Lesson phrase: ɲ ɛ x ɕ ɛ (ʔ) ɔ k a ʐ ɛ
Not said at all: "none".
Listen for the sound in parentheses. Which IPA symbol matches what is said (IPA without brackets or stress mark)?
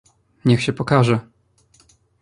p